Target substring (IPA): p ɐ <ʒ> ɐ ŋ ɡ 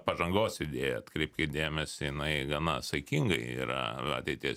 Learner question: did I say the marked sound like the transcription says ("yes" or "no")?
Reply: yes